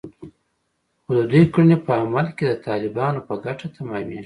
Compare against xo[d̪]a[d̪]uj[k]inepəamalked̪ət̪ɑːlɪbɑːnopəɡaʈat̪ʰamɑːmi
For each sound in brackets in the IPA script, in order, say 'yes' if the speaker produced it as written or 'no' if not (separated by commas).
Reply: yes, yes, yes